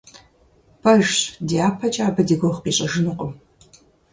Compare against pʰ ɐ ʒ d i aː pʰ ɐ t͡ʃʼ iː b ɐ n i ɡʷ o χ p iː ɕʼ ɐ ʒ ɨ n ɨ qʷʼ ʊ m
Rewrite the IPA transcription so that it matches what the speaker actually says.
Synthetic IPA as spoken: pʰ ɐ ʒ d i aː pʰ ɐ t͡ʃʼ aː b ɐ d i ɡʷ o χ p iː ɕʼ ɐ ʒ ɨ n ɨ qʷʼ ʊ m

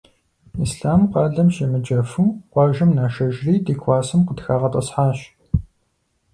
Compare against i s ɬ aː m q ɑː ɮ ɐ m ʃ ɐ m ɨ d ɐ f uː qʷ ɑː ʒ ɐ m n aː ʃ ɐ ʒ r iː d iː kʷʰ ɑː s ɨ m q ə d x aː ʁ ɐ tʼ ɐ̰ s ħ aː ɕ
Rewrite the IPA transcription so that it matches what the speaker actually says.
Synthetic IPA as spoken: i s ɬ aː m q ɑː ɮ ɐ m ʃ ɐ m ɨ d͡ʒ ɐ f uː qʷ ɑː ʒ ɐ m n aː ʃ ɐ ʒ r iː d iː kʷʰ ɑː s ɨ m q ə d x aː ʁ ɐ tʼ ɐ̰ s ħ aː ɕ

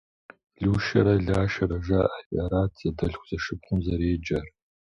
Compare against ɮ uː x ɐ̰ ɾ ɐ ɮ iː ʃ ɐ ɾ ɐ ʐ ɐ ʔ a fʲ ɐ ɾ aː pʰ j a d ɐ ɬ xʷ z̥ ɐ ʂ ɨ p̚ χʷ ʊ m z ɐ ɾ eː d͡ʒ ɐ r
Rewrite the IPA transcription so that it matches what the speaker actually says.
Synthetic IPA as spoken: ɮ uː ʃ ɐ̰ ɾ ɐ ɮ aː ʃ ɐ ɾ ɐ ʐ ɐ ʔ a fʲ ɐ ɾ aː tʰ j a d ɐ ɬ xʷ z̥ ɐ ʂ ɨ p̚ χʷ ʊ m z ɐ ɾ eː d͡ʒ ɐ r

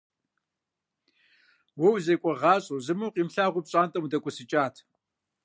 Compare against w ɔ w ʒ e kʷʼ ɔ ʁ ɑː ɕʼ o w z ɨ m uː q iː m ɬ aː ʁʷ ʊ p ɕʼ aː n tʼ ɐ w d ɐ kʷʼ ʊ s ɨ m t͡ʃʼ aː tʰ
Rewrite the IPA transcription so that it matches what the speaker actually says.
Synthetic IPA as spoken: w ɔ w z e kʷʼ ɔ ʁ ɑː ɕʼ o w z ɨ m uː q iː m ɬ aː ʁʷ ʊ p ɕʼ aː n tʼ ɐ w d ɐ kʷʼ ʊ s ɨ t͡ʃʼ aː tʰ

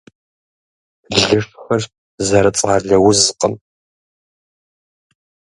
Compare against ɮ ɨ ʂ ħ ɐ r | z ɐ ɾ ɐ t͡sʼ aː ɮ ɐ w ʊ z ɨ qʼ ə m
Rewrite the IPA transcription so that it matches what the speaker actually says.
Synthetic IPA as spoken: ɮ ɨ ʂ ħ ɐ r | z ɐ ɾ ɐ t͡sʼ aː ɮ ɐ w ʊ z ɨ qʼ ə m

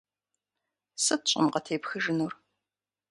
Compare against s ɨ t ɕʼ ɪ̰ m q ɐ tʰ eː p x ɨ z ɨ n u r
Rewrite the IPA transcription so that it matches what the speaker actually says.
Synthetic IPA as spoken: s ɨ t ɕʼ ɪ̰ m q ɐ tʰ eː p x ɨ ʒ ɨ n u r

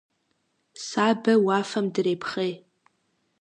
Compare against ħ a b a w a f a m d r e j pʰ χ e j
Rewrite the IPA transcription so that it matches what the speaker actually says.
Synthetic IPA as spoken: s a b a w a f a m d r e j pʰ χ e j

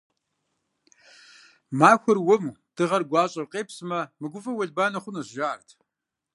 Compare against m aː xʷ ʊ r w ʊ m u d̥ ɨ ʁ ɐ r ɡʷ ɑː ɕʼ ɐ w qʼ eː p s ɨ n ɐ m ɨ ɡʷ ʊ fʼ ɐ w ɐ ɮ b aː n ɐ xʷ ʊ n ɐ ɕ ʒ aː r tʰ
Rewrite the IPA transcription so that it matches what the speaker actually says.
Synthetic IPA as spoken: m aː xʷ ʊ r w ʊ m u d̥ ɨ ʁ ɐ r ɡʷ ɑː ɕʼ ɐ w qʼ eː p s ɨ m ɐ m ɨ ɡʷ ʊ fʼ ɐ w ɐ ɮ b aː n ɐ χʷ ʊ n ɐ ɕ ʒ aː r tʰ

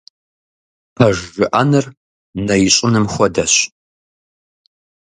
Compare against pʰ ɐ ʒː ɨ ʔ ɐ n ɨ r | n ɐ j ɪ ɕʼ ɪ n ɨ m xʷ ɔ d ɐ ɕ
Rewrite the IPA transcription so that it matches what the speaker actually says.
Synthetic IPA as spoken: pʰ ɐ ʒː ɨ ʔ ɐ n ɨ r | n ɐ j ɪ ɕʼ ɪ n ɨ m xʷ ɔ d ɐ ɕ

